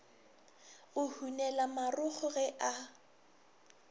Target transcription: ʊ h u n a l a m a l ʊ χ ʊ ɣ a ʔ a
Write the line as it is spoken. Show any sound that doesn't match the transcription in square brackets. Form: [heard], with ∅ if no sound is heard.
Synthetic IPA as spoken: ʊ h u n [ɛ] l a m a [r] ʊ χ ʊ ɣ [ɛ] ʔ a